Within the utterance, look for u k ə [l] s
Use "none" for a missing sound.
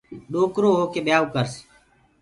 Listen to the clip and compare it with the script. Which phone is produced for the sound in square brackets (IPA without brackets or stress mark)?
ɾ